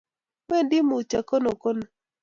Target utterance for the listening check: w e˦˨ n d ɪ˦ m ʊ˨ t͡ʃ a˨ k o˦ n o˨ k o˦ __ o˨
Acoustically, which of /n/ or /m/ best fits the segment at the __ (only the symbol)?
n